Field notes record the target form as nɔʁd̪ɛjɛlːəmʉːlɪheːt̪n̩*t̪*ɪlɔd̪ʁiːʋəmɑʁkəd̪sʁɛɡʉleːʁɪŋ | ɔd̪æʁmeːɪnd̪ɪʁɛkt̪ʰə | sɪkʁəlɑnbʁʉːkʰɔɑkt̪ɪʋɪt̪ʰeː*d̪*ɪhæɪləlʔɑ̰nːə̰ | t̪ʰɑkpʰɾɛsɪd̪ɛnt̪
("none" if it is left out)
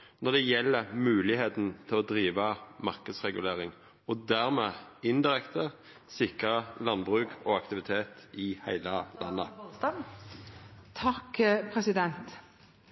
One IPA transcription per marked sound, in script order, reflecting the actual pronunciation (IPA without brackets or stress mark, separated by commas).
t̪ʰ, t̪